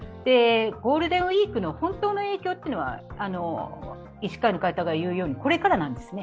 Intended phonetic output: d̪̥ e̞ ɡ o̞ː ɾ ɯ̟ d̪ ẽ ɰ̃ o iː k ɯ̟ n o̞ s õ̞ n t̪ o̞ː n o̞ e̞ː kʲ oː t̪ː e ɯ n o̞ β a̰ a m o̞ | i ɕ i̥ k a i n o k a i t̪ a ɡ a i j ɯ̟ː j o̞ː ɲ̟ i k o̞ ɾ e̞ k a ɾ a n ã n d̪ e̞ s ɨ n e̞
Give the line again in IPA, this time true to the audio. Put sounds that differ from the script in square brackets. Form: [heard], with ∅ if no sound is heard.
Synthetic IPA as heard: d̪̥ e̞ ɡ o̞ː ɾ ɯ̟ d̪ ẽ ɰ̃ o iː k ɯ̟ n o̞ [h] õ̞ n t̪ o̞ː n o̞ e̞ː kʲ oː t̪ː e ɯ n o̞ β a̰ a [n] o̞ | i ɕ i̥ k a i n o k a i t̪ a ɡ a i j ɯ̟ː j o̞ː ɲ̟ i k o̞ ɾ e̞ k a ɾ a n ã n d̪ e̞ s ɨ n e̞